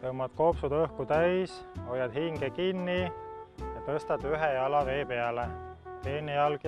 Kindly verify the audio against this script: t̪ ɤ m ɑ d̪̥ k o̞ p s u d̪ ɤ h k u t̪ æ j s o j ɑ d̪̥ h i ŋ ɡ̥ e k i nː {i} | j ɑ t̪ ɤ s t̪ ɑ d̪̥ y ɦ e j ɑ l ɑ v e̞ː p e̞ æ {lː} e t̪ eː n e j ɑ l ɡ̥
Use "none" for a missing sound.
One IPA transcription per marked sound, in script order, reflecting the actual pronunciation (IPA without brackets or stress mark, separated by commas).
i, l